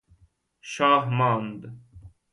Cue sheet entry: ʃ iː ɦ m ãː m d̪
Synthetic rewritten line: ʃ aː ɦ m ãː n d̪